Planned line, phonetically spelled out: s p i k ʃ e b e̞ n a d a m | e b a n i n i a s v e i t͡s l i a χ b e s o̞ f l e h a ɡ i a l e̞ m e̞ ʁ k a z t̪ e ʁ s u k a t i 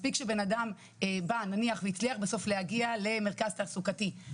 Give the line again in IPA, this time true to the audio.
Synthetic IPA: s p i k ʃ e b e̞ n a d a m | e b a n a n i a χ v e i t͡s l i a χ b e s o̞ f l e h a ɡ i a l e̞ m e̞ ʁ k a z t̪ a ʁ s u k a t i